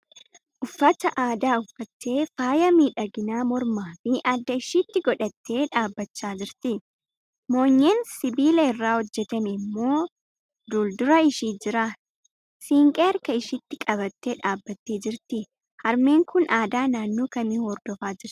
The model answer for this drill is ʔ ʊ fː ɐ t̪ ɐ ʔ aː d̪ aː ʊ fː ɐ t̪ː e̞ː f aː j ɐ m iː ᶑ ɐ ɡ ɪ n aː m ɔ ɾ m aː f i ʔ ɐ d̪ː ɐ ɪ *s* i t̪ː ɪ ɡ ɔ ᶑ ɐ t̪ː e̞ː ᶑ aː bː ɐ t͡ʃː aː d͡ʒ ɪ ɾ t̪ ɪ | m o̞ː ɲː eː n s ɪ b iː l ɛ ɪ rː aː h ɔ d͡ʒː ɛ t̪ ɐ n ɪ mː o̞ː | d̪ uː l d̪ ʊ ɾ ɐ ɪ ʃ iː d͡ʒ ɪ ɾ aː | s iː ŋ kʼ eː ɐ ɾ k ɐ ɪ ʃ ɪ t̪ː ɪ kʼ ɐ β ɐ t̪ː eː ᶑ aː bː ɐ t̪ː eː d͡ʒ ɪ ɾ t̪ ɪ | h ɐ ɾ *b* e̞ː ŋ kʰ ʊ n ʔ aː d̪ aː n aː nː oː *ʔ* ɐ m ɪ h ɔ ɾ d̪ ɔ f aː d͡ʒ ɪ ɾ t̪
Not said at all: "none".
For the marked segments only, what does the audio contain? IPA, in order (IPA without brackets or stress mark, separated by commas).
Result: ʃ, m, k